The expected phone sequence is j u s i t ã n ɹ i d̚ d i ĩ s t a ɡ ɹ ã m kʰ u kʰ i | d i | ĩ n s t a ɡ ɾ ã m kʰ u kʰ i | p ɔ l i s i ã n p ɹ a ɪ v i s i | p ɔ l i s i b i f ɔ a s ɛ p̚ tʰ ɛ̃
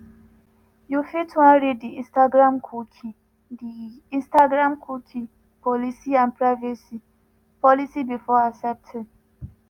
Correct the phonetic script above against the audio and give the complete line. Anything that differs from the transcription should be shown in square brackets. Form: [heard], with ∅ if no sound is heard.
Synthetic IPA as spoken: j u [f] i t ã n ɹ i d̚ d i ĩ s t a ɡ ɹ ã m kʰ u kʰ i | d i | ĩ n s t a ɡ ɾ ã m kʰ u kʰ i | p ɔ l i s i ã n p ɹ a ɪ v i s i | p ɔ l i s i b i f ɔ a s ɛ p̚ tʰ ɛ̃